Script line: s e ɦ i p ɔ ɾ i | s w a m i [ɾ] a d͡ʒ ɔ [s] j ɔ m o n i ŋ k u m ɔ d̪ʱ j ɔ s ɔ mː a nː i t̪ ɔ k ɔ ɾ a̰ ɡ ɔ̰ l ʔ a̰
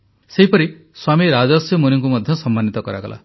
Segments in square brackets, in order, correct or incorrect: correct, correct

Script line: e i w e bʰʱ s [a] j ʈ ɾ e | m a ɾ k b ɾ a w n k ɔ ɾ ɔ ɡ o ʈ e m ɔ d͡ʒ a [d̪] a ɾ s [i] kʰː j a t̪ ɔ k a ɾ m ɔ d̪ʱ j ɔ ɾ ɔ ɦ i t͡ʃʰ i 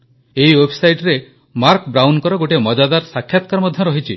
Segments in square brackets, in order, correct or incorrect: correct, correct, incorrect

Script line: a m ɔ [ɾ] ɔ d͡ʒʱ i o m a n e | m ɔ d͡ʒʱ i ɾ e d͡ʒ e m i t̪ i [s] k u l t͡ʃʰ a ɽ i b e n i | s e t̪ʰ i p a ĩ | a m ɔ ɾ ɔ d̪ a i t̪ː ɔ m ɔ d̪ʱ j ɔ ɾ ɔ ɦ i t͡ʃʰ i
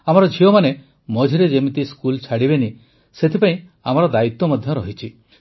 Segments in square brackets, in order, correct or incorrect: correct, correct

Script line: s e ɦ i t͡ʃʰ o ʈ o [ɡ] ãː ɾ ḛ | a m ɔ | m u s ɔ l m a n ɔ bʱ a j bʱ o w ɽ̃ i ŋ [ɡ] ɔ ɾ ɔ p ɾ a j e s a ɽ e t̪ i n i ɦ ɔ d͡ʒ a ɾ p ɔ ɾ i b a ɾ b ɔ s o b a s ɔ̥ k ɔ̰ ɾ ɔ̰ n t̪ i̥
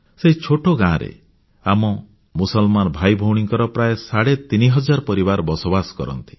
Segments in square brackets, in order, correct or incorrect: correct, incorrect

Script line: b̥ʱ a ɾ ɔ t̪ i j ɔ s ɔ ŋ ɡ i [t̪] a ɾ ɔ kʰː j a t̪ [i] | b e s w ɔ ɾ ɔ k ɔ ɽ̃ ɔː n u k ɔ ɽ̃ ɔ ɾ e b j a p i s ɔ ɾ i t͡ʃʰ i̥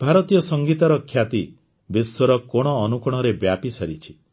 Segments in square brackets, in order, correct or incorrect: correct, correct

